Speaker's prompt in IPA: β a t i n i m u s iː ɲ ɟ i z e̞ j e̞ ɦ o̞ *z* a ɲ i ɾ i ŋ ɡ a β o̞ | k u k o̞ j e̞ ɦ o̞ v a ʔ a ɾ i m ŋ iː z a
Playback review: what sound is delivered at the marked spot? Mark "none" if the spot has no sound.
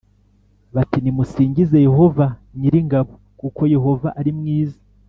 v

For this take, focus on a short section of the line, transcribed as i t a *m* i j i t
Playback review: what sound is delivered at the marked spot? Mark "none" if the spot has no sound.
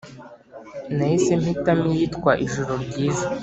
m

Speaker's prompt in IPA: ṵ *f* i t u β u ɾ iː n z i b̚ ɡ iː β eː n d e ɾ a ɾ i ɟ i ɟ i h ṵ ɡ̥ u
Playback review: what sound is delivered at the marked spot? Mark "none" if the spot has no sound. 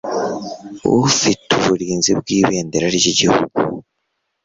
f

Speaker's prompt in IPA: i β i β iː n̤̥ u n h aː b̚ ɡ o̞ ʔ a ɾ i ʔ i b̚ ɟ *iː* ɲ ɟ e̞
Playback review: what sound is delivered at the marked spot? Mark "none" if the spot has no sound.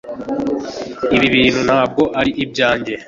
aː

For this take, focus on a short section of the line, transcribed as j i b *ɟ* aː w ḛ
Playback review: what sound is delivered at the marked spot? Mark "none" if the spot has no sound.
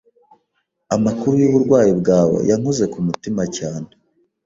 ɡ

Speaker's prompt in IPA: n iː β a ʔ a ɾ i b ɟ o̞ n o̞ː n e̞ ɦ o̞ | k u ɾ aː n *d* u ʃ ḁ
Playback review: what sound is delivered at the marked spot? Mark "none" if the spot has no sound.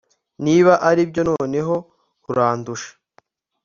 d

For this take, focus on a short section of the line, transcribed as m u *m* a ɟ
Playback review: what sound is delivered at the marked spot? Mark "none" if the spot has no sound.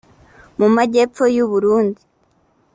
m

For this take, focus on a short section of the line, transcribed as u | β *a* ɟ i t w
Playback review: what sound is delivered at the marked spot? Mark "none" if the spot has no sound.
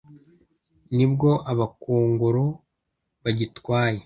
a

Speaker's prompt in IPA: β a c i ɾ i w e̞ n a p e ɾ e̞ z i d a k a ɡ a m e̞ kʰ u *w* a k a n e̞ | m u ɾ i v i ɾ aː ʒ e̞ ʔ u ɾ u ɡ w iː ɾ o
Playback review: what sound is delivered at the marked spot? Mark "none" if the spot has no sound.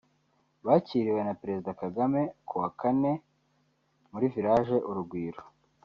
w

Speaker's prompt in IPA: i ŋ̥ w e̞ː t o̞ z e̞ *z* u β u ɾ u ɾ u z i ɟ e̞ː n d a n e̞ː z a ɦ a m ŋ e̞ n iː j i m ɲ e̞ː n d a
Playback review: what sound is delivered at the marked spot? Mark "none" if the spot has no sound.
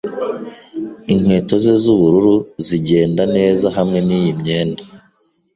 z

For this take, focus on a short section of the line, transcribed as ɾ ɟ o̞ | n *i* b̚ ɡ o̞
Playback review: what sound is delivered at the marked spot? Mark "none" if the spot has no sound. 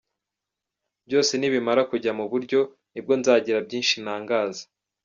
i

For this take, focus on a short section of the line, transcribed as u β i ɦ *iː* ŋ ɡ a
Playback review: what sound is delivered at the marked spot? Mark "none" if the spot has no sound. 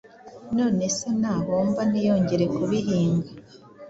iː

